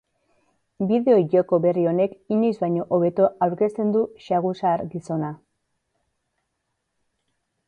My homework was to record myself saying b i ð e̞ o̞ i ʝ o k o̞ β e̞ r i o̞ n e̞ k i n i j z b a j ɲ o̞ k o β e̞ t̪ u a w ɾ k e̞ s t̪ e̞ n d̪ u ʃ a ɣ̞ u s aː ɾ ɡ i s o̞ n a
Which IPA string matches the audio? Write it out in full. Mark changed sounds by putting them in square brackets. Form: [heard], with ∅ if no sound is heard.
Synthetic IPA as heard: b i ð e̞ o̞ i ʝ o k o̞ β e̞ r i o̞ n e̞ k i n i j z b a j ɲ o̞ [ʔ] o β e̞ t̪ [o] a w ɾ k e̞ s t̪ e̞ n d̪ u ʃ a ɣ̞ u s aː ɾ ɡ i s o̞ n a